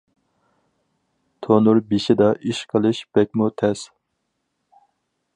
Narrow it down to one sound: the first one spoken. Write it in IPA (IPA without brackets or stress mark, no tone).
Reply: t̪ʰ